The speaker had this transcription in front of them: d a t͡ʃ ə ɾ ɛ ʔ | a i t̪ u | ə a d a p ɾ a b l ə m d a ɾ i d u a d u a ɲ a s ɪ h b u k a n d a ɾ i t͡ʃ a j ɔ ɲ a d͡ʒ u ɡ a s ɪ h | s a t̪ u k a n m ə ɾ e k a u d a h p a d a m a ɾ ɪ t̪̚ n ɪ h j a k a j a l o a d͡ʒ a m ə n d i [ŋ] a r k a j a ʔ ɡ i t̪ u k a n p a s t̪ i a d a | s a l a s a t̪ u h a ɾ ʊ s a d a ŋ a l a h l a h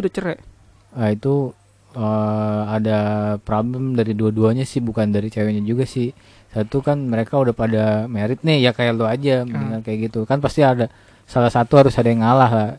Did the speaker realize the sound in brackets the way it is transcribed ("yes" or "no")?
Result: yes